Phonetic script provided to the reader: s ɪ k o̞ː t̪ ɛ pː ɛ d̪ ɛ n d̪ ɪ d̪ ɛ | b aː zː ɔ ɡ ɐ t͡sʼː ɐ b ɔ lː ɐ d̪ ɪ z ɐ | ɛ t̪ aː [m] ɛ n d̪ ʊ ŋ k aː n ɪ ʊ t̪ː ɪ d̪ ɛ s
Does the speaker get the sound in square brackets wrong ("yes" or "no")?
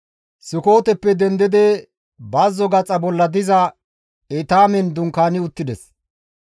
no